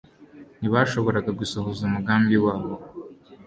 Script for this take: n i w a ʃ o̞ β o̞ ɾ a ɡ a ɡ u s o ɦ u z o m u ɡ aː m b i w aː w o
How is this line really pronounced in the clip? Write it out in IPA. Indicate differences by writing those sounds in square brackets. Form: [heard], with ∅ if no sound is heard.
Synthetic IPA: n i [β] a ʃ o̞ β o̞ ɾ a ɡ a ɡ u s o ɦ [o] z [u] m u ɡ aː m b i w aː [β] o